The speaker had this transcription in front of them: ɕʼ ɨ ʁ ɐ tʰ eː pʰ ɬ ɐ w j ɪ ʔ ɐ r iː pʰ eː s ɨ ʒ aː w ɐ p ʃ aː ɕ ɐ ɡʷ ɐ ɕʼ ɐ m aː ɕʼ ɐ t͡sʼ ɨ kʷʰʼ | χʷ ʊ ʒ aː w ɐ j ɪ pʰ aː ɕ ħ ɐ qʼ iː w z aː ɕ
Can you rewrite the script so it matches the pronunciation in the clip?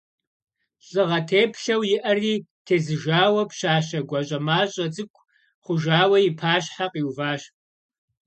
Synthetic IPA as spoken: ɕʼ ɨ ʁ ɐ tʰ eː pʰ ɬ ɐ w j ɪ ʔ ɐ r iː tʰ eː z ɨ ʒ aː w ɐ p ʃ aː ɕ ɐ ɡʷ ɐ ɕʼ ɐ m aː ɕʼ ɐ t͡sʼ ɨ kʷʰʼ | χʷ ʊ ʒ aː w ɐ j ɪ pʰ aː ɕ ħ a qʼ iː w v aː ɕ

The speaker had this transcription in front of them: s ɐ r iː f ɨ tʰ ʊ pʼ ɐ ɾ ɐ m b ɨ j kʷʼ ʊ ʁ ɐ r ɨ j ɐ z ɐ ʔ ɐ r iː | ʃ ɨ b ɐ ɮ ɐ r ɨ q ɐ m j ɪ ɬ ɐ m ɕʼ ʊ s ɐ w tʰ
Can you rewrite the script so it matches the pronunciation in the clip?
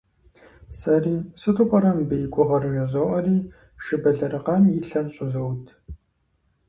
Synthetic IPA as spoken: s ɐ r iː s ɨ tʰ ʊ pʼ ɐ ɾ ɐ m b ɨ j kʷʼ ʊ ʁ ɐ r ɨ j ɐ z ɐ ʔ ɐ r iː | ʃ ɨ b ɐ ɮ ɐ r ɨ q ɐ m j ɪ ɬ ɐ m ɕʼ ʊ z ɐ w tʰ

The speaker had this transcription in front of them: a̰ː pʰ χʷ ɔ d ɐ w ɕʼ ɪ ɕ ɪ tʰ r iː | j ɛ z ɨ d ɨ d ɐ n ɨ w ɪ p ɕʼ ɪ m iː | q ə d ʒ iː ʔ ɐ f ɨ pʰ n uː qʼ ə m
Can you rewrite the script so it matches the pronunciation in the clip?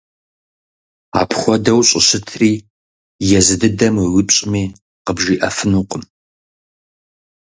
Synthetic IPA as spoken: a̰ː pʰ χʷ ɔ d ɐ w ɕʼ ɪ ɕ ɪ tʰ r iː | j ɛ z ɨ d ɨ d ɐ m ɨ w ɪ p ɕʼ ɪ m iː | q ə b ʒ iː ʔ ɐ f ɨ n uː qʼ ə m

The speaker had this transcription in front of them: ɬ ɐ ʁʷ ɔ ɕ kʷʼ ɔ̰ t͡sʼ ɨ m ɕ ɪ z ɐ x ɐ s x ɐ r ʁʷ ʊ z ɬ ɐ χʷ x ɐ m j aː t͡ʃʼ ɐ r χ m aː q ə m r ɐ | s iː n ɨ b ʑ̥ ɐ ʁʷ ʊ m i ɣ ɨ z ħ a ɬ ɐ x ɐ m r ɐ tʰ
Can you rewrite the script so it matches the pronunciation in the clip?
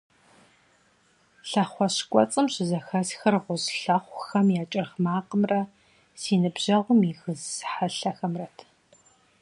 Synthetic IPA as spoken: ɬ ɐ χʷ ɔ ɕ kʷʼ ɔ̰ t͡sʼ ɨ m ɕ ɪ z ɐ x ɐ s x ɐ r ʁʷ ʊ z ɬ ɐ χʷ x ɐ m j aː t͡ʃʼ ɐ r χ m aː q ə m r ɐ | s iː n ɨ b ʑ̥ ɐ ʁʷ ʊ m i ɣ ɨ z ħ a ɬ ɐ x ɐ m r ɐ tʰ

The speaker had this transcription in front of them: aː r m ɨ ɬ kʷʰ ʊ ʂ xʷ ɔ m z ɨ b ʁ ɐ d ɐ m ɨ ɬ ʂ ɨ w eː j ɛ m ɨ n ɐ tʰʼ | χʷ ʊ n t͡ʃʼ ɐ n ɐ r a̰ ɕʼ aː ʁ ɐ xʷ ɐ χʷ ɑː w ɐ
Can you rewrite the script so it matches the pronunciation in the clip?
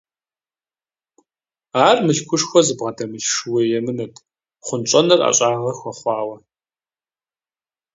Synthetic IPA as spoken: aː r m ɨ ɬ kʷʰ ʊ ʂ xʷ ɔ z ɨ b ʁ ɐ d ɐ m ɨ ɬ ʂ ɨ w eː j ɛ m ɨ n ɐ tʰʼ | χʷ ʊ n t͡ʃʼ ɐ n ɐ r a̰ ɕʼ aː ʁ ɐ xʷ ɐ χʷ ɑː w ɐ

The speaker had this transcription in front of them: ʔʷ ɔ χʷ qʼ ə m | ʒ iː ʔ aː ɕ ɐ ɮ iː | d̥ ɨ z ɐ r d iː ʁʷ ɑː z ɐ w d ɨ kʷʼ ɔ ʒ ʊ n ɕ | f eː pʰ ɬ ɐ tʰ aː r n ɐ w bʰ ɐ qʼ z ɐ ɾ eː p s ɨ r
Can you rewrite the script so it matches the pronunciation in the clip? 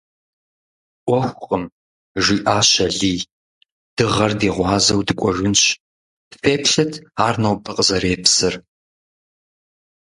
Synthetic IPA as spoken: ʔʷ ɔ xʷ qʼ ə m | ʒ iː ʔ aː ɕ ɐ ɮ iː | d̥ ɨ ʁ ɐ r d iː ʁʷ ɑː z ɐ w d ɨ kʷʼ ɔ ʒ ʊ n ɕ | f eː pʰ ɬ ɐ tʰ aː r n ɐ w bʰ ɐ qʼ z ɐ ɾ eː p s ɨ r

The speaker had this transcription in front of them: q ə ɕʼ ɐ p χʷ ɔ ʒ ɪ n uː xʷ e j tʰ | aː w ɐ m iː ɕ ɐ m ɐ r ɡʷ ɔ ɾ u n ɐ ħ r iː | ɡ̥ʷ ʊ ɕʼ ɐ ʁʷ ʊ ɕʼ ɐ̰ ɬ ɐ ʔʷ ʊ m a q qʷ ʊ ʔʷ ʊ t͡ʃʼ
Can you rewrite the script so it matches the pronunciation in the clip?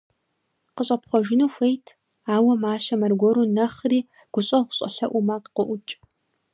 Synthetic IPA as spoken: q ə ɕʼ ɐ p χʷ ɔ ʒ ɪ n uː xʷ e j tʰ | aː w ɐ m aː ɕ ɐ m ɐ r ɡʷ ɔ ɾ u n ɐ χ r iː | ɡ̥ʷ ʊ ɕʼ ɐ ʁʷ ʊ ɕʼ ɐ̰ ɬ ɐ ʔʷ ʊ m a q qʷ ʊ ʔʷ ʊ t͡ʃʼ

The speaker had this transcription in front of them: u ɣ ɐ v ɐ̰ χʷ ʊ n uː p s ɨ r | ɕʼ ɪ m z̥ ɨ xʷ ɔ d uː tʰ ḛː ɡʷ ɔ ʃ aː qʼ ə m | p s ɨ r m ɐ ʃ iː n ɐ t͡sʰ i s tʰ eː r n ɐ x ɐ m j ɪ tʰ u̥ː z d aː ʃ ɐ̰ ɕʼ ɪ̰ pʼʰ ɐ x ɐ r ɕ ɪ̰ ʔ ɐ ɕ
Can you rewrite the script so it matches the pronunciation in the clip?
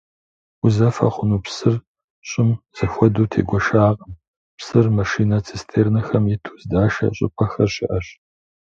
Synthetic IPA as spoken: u z ɐ f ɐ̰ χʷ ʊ n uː p s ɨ r | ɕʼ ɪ m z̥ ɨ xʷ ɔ d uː tʰ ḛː ɡʷ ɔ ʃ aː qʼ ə m | p s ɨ r m ɐ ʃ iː n ɐ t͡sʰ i s tʰ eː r n ɐ x ɐ m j ɪ tʰ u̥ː z d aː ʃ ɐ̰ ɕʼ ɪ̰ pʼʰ ɐ x ɐ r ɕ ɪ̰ ʔ ɐ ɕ

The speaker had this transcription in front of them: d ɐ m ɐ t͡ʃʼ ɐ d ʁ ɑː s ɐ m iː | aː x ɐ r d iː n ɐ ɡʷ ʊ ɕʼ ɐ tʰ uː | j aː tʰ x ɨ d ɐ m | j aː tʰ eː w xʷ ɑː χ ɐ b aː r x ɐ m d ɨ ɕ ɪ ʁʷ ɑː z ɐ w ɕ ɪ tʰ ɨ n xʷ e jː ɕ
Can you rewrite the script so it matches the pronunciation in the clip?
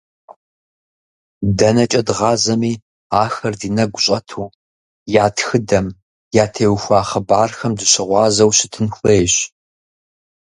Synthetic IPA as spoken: d ɐ n ɐ t͡ʃʼ ɐ d ʁ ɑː z ɐ m iː | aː x ɐ r d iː n ɐ ɡʷ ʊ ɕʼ ɐ tʰ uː | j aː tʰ x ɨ d ɐ m | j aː tʰ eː w xʷ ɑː χ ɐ b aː r x ɐ m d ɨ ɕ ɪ ʁʷ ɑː z ɐ w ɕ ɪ tʰ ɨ n xʷ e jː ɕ

